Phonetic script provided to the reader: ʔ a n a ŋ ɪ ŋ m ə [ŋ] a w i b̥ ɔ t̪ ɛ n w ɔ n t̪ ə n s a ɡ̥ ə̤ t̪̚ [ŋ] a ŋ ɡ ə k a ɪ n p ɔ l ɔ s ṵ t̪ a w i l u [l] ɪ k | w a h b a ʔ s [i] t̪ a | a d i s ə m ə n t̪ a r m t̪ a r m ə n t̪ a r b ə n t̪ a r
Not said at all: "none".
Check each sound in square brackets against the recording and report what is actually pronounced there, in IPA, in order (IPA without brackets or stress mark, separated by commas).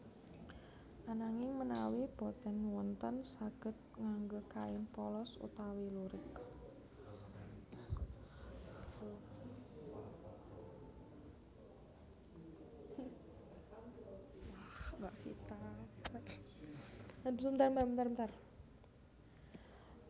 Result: n, ŋ, ɾ, i